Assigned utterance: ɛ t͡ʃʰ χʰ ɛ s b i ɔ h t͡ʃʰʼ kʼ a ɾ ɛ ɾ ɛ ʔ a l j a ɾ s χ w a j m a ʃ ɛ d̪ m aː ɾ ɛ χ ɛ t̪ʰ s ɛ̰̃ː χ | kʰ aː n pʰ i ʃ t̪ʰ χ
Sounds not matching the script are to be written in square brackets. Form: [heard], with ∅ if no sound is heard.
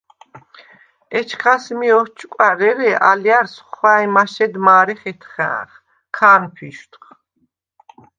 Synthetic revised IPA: ɛ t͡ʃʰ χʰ [a] s [m] i ɔ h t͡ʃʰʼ kʼ a ɾ ɛ ɾ ɛ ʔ a l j a ɾ s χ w a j m a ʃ ɛ d̪ m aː ɾ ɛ χ ɛ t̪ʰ [χ] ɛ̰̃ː χ | kʰ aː n pʰ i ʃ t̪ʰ χ